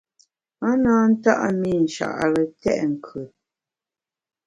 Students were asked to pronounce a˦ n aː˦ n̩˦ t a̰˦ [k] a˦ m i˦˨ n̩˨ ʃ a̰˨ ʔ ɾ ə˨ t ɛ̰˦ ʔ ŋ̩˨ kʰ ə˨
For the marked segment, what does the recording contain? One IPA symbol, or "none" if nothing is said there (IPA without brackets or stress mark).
ʔ